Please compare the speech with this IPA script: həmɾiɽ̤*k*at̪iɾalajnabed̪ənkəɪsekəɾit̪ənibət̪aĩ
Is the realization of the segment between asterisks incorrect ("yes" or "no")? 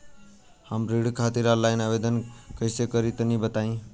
yes